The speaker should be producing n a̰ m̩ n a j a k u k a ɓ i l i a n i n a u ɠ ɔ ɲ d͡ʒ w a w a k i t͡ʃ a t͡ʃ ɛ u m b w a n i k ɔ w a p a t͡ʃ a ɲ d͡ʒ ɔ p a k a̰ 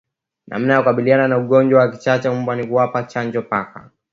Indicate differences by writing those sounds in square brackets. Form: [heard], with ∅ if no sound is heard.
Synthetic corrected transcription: n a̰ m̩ n a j a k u k a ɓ i l i a n [a] n a u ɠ ɔ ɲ d͡ʒ w a w a k i t͡ʃ a t͡ʃ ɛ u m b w a n i k [u] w a p a t͡ʃ a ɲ d͡ʒ ɔ p a k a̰